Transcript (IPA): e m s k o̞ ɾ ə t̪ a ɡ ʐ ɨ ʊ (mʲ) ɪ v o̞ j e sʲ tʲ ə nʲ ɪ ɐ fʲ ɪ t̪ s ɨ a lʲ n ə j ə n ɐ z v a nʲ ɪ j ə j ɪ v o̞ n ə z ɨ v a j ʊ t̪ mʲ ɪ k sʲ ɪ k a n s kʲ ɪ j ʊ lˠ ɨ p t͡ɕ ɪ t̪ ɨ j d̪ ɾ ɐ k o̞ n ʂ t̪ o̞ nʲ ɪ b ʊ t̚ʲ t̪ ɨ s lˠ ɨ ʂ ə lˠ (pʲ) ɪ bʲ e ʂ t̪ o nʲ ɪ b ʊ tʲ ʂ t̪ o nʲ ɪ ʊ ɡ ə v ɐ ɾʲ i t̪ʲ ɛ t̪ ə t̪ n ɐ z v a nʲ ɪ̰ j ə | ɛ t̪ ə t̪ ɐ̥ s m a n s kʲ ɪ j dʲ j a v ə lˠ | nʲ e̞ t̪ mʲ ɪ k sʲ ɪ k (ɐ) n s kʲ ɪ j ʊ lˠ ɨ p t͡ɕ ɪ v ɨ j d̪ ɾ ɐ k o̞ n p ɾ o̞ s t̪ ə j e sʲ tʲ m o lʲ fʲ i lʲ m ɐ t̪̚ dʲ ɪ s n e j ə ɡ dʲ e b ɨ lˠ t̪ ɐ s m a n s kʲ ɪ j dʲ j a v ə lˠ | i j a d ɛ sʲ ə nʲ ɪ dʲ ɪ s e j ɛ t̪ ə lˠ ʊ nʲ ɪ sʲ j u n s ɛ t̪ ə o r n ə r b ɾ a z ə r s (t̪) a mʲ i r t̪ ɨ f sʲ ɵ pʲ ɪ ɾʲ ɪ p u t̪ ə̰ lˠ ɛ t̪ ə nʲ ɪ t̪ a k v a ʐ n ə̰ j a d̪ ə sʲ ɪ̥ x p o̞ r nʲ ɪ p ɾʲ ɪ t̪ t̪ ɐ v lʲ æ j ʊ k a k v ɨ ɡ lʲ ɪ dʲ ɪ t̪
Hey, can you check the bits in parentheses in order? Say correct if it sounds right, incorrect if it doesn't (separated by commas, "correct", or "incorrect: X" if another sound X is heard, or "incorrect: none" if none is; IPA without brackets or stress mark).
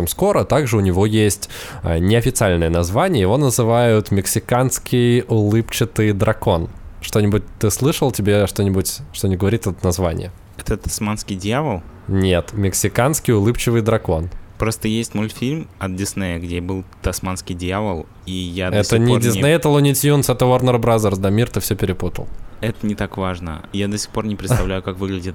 incorrect: nʲ, incorrect: tʲ, incorrect: a, incorrect: d̪